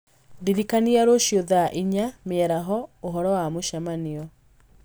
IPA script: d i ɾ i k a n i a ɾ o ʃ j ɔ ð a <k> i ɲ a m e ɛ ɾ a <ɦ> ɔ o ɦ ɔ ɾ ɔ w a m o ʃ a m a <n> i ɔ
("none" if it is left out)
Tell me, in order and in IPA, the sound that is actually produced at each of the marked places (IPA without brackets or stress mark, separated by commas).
ʔ, ɦ, n